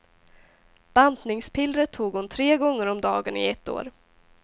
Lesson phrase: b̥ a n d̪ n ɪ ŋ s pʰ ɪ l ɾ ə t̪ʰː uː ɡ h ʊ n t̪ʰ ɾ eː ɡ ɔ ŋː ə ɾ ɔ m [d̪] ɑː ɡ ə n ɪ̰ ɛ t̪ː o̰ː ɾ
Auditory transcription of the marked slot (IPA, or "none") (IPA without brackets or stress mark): d̪